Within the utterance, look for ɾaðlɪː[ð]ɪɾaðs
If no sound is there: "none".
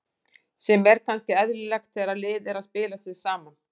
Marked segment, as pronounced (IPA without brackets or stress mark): ð